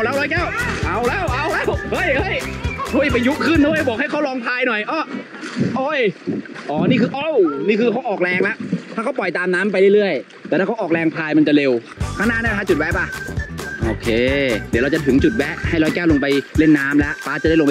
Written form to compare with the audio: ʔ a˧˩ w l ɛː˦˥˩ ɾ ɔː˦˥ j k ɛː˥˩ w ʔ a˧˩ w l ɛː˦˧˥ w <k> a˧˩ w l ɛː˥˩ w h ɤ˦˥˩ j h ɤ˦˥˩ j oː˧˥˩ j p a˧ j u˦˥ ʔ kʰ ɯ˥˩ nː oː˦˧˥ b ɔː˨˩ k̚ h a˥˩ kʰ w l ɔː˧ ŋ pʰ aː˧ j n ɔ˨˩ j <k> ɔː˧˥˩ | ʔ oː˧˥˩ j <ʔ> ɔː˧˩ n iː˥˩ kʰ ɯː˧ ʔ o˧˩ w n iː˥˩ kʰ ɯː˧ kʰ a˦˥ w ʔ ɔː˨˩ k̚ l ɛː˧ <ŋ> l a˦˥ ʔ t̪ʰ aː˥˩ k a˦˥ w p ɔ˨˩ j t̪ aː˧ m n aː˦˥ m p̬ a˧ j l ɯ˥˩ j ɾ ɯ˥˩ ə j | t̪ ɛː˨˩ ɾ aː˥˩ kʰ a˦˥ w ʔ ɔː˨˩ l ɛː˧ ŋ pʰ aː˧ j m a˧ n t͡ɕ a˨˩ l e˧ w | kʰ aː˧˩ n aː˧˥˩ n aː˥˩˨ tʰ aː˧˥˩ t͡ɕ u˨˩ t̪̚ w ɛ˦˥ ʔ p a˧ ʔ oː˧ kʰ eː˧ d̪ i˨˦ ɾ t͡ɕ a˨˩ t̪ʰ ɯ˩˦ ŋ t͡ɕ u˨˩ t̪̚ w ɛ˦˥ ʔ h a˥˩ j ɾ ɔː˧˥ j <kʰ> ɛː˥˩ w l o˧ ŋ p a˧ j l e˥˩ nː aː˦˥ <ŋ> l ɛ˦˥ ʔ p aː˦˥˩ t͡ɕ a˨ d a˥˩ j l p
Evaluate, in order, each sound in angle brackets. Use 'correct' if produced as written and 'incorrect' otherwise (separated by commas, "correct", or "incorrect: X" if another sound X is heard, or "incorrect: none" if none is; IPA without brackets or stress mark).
incorrect: ʔ, incorrect: ʔ, correct, correct, incorrect: k, incorrect: m